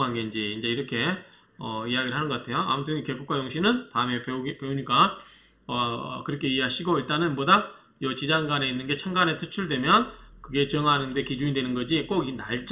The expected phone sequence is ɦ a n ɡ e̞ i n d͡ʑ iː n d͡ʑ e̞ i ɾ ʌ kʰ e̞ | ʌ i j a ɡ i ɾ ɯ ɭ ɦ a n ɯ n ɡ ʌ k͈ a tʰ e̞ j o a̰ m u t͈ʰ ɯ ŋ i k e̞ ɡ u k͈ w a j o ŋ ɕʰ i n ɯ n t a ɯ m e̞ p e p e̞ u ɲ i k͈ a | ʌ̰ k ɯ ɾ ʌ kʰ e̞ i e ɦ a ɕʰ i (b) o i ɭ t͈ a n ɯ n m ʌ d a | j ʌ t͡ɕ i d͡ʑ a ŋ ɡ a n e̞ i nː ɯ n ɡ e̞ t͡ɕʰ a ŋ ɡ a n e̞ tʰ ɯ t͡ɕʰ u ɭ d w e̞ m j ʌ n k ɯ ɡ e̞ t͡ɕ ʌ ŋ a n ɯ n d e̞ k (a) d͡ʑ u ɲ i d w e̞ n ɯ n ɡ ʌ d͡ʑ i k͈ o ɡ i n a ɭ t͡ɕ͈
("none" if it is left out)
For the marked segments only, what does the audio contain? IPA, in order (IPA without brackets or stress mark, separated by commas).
ɡ, i